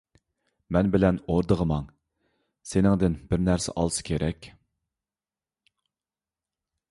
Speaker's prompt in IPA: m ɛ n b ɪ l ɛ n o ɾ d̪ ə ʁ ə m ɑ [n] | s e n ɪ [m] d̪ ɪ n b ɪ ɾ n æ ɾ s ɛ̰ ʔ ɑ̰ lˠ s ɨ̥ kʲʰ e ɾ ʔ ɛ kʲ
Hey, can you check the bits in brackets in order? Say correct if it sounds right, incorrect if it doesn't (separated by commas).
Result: incorrect, incorrect